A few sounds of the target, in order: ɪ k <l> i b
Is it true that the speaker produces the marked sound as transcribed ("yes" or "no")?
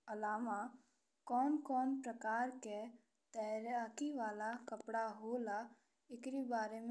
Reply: no